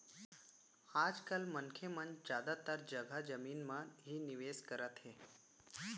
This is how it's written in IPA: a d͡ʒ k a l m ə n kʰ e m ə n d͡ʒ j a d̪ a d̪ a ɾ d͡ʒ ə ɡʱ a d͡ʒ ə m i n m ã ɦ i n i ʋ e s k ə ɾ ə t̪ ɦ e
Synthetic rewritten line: a d͡ʒ k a l m ə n kʰ e m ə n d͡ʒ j a d̪ a t̪ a ɾ d͡ʒ ə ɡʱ a d͡ʒ ə m i n m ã ɦ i n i ʋ e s k ə ɾ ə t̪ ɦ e